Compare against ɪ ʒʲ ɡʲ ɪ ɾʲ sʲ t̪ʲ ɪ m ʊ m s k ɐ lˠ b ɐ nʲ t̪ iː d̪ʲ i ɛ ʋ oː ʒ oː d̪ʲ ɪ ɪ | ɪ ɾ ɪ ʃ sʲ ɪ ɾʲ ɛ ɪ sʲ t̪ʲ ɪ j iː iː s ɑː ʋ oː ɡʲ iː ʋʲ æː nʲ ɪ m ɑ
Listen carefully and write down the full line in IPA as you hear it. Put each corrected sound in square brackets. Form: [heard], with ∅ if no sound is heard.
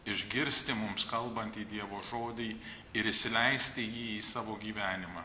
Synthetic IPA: ɪ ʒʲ ɡʲ ɪ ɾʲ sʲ t̪ʲ ɪ m ʊ m s k ɐ lˠ b ɐ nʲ t̪ iː d̪ʲ i ɛ ʋ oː ʒ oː d̪ʲ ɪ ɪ | ɪ ɾ ɪ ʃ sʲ ɪ [lʲ] ɛ ɪ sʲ t̪ʲ ɪ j iː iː s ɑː ʋ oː ɡʲ iː ʋʲ æː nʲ ɪ m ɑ